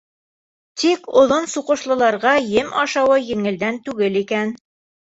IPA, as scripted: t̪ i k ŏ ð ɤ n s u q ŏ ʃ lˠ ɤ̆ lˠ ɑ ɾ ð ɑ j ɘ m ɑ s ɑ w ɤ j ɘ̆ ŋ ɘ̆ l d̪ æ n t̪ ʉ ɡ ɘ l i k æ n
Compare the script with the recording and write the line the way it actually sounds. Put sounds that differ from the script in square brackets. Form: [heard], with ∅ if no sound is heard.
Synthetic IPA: t̪ i k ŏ ð [o] n s u q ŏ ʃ lˠ ɤ̆ lˠ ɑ ɾ [ʁ] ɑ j ɘ m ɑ [ʃ] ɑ w ɤ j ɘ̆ ŋ ɘ̆ l d̪ æ n t̪ ʉ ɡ ɘ l i k æ n

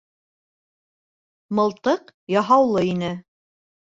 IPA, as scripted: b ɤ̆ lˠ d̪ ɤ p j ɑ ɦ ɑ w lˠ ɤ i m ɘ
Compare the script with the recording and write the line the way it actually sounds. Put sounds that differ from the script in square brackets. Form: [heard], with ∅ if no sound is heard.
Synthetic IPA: [m] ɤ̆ lˠ [t̪] ɤ [q] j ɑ ɦ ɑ w lˠ ɤ i [n] ɘ

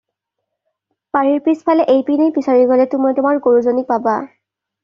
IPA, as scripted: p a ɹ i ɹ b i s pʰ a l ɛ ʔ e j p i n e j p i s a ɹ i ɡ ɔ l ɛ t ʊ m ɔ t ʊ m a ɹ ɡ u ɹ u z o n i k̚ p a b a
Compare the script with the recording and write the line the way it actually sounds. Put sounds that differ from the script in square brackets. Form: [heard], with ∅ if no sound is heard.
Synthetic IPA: p a ɹ i ɹ [p] i s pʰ a l ɛ ʔ e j p i n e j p i s a ɹ i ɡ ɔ l ɛ t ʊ m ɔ t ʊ m a ɹ ɡ [o] ɹ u z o n i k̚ p a b a

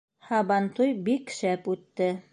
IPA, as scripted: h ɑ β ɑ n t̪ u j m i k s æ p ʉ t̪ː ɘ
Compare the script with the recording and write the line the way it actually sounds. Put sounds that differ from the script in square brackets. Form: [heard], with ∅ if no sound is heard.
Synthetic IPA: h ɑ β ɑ n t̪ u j [b] i k [ʃ] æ p ʉ t̪ː ɘ

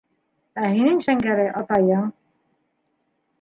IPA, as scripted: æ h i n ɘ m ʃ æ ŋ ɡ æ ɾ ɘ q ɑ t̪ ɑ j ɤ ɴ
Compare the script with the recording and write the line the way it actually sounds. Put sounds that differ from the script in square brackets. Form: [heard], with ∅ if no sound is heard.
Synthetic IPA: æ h i n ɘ [ŋ] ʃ æ ŋ ɡ æ ɾ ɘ [ʔ] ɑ t̪ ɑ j ɤ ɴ

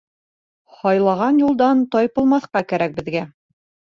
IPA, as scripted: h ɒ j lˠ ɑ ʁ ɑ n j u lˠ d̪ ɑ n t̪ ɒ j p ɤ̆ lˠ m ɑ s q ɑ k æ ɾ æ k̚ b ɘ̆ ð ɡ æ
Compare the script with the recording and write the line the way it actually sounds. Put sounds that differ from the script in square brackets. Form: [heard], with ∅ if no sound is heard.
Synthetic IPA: h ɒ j lˠ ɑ ʁ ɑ n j u lˠ d̪ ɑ n t̪ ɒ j p ɤ̆ lˠ m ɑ [θ] q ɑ k æ ɾ æ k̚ b ɘ̆ ð ɡ æ

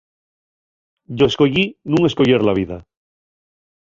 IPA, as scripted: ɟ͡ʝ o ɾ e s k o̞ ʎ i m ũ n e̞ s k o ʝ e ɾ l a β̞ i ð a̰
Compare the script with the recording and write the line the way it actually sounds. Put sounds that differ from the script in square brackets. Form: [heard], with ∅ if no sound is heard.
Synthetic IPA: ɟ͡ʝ o [∅] e s k o̞ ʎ i [n] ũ [ŋ] e̞ s k o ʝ e ɾ l a β̞ i ð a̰

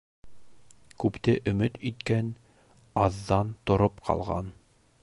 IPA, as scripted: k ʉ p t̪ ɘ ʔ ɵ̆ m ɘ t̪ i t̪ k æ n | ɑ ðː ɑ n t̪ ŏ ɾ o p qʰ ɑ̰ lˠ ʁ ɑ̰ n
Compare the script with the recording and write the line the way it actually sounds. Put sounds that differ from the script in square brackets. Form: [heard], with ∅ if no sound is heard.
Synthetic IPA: k ʉ p t̪ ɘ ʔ ɵ̆ m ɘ t̪ i t̪ k æ n | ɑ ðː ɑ n t̪ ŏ ɾ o p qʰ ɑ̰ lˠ ʁ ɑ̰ n

